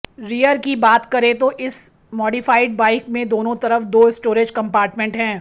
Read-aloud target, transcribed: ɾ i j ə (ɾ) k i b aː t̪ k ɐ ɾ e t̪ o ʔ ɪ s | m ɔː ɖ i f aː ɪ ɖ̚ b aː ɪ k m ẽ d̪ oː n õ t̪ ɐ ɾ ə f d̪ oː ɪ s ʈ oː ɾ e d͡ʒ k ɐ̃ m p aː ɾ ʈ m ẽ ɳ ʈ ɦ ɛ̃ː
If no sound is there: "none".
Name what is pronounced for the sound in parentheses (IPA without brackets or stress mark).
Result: ɾ